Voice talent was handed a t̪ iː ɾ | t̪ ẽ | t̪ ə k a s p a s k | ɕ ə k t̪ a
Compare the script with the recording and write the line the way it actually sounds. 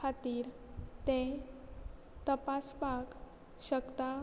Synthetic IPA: a t̪ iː ɾ | t̪ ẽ | t̪ ə p a s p a k | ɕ ə k t̪ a